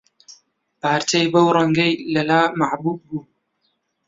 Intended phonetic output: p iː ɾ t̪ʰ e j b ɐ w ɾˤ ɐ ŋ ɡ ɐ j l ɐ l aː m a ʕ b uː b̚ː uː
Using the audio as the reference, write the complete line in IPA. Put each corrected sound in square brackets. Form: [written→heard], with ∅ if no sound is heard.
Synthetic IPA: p [iː→aː] ɾ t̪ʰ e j b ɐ w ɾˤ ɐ ŋ ɡ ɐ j l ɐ l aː m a ʕ b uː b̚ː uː